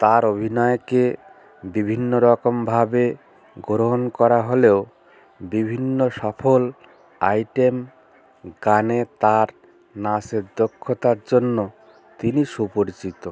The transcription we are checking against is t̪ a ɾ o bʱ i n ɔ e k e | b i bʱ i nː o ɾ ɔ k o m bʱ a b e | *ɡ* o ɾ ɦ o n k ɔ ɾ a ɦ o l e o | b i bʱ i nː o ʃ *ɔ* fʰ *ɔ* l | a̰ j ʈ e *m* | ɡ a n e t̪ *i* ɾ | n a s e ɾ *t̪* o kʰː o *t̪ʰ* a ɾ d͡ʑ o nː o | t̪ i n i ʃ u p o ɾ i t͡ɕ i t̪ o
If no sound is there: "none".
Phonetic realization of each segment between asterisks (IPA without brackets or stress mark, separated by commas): ɡ, ɔ, o, m, a, d̪, t̪